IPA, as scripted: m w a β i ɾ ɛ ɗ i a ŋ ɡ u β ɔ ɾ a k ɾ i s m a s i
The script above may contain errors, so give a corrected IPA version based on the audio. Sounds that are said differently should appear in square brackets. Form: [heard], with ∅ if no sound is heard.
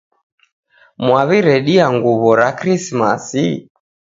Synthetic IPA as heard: m w a β i ɾ ɛ ɗ i a ŋ ɡ u β ɔ ɾ a k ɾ i s m a s i